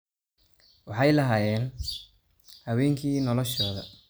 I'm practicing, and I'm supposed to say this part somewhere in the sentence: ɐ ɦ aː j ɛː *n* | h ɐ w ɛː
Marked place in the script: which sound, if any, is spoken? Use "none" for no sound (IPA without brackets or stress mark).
n